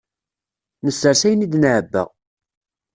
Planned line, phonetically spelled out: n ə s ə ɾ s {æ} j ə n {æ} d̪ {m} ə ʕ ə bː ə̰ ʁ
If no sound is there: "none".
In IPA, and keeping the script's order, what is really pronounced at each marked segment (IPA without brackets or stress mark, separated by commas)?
æ, i, n